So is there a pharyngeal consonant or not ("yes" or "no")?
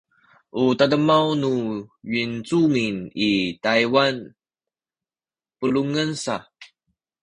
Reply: no